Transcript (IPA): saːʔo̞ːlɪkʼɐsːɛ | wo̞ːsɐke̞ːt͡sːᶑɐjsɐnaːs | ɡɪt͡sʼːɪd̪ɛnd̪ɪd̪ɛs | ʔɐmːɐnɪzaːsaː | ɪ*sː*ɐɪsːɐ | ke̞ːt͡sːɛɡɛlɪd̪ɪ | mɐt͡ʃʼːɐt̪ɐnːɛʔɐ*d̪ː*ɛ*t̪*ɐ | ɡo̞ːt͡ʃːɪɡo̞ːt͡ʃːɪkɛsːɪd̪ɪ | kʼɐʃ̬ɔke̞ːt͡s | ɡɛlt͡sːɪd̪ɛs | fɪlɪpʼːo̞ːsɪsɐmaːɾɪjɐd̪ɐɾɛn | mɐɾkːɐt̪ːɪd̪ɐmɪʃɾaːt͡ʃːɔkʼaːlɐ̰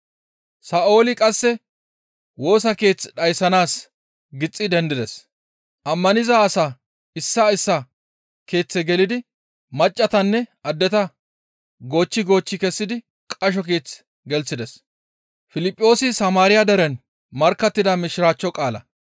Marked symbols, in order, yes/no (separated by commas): yes, yes, yes